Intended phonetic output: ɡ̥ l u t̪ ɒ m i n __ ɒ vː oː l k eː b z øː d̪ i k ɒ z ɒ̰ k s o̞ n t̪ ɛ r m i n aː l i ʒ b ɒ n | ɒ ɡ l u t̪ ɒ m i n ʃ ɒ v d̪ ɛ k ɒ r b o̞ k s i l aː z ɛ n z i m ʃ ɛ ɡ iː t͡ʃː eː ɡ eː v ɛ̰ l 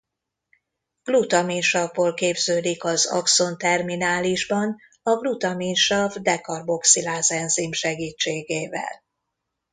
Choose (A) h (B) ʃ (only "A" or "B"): B